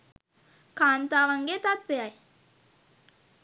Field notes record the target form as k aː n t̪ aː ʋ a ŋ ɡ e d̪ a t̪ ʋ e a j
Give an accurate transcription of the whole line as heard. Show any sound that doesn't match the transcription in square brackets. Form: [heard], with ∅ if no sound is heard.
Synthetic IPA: k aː n t̪ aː ʋ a ŋ ɡ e [t̪] a t̪ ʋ e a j